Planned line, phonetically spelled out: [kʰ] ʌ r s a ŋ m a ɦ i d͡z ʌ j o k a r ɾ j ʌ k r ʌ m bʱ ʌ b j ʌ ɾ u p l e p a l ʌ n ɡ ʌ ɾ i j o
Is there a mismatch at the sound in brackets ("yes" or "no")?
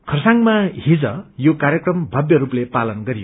no